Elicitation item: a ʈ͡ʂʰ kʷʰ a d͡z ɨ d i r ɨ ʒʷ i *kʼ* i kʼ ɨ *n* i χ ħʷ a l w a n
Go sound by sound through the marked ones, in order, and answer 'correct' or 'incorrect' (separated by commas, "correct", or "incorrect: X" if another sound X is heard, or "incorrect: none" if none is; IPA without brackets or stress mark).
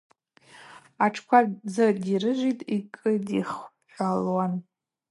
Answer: incorrect: tʼ, incorrect: d